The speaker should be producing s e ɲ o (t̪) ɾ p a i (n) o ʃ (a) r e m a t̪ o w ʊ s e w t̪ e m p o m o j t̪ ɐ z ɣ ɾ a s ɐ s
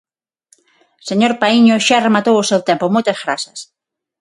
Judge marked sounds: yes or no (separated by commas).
no, no, yes